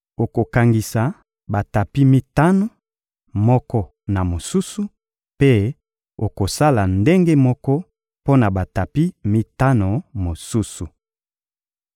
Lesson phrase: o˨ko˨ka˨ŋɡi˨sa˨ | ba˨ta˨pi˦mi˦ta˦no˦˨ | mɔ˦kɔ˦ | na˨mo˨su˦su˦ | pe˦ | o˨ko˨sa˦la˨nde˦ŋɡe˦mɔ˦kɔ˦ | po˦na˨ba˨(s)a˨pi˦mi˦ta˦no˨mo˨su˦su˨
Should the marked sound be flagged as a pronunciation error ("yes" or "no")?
yes